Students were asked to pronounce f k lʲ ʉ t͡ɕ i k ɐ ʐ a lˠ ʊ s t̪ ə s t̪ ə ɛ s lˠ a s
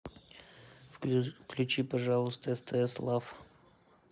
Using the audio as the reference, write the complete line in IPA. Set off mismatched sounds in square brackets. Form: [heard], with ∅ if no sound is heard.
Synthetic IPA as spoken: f k lʲ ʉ t͡ɕ i [p] ɐ ʐ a lˠ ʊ s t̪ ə s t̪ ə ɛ s lˠ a [f]